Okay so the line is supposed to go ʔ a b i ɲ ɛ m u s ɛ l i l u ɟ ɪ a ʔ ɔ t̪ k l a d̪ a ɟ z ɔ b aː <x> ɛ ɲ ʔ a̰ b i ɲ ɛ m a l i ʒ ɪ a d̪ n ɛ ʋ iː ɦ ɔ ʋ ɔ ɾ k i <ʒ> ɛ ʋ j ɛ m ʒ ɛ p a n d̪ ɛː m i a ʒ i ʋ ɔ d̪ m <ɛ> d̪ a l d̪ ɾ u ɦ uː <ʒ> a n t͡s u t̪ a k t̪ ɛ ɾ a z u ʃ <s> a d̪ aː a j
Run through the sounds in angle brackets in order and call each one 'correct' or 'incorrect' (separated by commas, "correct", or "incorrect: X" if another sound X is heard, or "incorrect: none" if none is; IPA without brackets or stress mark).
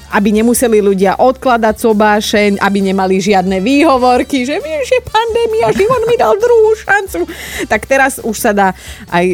incorrect: ʃ, correct, incorrect: i, incorrect: ʃ, correct